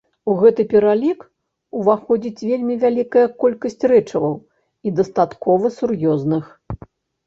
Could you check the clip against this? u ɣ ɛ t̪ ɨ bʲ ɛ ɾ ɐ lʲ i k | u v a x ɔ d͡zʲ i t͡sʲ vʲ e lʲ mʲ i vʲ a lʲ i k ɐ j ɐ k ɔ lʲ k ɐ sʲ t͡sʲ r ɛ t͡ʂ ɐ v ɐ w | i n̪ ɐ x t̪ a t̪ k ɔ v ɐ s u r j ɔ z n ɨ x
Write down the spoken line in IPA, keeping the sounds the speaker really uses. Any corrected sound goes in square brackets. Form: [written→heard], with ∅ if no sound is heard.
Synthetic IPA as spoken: u ɣ ɛ t̪ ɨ [bʲ→pʲ] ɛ ɾ [ɐ→a] lʲ i k | u v a x ɔ d͡zʲ i t͡sʲ vʲ e lʲ mʲ i vʲ a lʲ i k ɐ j ɐ k ɔ lʲ k ɐ sʲ t͡sʲ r ɛ t͡ʂ ɐ v ɐ w | i [n̪→d̪] ɐ [x→s] t̪ a t̪ k ɔ v ɐ s u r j ɔ z n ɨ x